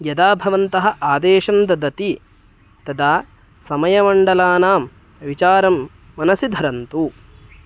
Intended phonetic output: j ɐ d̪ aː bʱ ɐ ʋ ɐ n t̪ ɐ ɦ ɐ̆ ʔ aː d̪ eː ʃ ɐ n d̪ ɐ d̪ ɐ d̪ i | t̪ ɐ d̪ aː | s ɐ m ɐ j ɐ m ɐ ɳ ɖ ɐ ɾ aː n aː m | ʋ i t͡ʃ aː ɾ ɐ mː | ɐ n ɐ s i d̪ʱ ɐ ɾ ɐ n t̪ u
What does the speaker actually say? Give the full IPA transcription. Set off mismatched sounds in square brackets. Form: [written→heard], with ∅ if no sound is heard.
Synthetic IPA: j ɐ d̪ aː bʱ ɐ ʋ ɐ n t̪ ɐ ɦ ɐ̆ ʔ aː d̪ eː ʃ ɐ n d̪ ɐ d̪ ɐ [d̪→t̪] i | t̪ ɐ d̪ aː | s ɐ m ɐ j ɐ m ɐ ɳ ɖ ɐ [ɾ→l] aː n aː m | ʋ i t͡ʃ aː ɾ ɐ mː | ɐ n ɐ s i d̪ʱ ɐ ɾ ɐ n t̪ u